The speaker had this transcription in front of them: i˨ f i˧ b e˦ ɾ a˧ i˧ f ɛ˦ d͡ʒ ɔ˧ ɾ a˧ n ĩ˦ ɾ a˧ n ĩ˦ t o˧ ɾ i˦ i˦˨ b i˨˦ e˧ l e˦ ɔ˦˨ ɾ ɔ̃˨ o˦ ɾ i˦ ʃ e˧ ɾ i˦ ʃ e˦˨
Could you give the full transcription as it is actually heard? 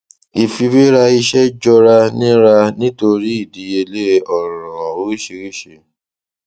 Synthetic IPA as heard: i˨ f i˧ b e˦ ɾ a˧ i˧ ʃ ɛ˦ d͡ʒ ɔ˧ ɾ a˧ n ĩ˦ ɾ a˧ n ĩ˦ t o˧ ɾ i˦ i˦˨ d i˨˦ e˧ l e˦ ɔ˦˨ ɾ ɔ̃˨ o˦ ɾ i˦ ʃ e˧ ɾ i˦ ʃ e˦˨